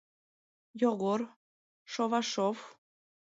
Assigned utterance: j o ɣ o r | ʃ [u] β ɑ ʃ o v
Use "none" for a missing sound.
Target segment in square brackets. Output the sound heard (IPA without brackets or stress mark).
o